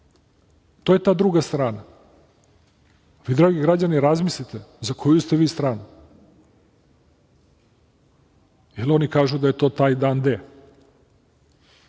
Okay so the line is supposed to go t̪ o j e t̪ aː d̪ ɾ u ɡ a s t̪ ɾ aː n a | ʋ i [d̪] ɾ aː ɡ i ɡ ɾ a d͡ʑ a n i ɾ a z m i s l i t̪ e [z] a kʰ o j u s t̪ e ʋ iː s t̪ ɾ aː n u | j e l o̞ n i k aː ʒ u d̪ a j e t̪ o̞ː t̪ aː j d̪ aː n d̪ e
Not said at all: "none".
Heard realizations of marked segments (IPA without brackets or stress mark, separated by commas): d̪, z